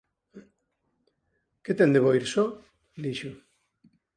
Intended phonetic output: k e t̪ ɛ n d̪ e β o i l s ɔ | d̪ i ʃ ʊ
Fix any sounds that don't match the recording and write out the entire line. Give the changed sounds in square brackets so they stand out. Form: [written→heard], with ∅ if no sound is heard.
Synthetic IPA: k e t̪ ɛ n d̪ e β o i [l→ɾ] s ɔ | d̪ i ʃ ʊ